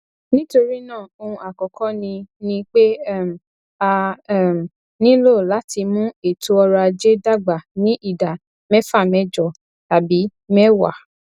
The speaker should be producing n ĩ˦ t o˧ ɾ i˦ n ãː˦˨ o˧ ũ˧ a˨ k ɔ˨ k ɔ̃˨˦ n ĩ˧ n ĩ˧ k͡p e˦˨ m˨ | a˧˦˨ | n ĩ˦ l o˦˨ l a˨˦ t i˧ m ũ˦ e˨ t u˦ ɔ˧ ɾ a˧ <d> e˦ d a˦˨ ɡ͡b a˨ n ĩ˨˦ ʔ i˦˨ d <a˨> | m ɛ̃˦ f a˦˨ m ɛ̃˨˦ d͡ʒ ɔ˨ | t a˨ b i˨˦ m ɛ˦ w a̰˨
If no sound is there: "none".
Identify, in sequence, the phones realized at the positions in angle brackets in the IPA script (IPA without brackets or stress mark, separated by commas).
d͡ʒ, a˨